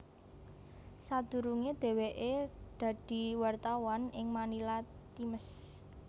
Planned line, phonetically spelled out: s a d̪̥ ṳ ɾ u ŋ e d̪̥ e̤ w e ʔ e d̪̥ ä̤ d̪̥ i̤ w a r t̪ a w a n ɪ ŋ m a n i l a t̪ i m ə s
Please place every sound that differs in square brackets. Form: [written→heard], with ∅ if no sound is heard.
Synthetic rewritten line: s a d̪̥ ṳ ɾ u ŋ e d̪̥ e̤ w e ʔ e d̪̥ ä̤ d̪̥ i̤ w a r t̪ a w a n ɪ ŋ m a n i l a t̪ i m ə s